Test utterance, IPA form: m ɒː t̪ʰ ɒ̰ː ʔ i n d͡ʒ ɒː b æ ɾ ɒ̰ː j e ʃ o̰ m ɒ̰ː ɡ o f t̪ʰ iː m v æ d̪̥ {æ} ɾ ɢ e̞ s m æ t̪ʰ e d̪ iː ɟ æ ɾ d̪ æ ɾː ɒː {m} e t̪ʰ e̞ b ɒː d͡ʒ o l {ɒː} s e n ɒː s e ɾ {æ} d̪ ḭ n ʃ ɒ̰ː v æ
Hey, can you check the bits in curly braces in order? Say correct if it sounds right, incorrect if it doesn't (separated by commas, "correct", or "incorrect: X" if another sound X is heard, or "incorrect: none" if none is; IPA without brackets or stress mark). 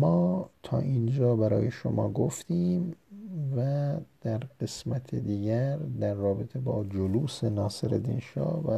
correct, incorrect: b, incorrect: uː, incorrect: e